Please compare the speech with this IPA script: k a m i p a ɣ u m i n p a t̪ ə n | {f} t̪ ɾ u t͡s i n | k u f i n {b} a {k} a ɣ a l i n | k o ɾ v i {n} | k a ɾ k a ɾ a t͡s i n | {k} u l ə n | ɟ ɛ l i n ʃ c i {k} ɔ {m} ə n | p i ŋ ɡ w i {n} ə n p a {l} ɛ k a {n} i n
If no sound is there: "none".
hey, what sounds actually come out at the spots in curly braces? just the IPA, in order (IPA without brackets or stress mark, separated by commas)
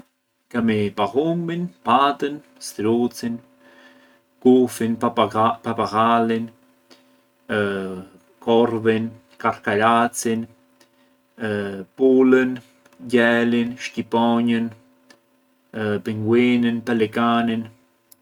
s, p, p, n, p, p, ɲ, n, l, n